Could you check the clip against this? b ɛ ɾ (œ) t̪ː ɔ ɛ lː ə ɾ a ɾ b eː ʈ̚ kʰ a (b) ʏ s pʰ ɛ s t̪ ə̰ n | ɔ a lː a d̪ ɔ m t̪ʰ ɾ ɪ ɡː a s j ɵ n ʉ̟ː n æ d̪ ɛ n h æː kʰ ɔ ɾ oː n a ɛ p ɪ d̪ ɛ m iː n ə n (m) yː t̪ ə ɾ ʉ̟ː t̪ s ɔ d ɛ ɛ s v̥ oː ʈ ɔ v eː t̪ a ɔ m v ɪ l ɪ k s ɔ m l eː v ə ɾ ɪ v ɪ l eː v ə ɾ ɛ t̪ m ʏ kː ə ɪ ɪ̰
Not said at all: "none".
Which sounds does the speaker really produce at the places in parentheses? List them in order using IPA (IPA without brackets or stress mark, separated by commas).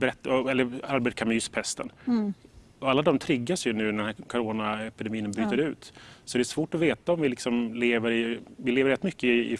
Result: ɛ, m, b